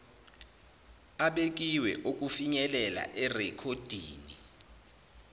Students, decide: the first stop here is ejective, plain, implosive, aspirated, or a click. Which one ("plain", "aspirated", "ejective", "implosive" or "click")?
implosive